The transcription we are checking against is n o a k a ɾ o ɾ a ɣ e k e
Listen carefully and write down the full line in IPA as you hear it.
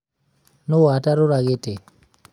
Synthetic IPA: n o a t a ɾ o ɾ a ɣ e t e